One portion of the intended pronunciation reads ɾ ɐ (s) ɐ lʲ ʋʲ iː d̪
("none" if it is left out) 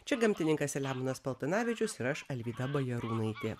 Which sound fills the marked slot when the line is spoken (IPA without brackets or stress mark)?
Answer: ʃ